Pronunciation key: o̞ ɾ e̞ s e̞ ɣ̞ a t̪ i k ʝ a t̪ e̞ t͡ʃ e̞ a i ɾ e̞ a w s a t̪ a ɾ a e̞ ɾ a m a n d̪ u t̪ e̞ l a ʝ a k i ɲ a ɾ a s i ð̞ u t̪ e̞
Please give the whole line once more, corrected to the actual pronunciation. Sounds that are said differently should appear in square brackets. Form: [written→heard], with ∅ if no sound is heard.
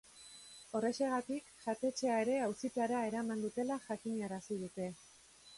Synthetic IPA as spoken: o̞ [ɾ→r] e̞ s e̞ ɣ̞ a t̪ i k ʝ a t̪ e̞ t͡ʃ e̞ a [i→e] ɾ e̞ a w s [a→i] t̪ a ɾ a e̞ ɾ a m a n d̪ u t̪ e̞ l a ʝ a k i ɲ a ɾ a s i ð̞ u t̪ e̞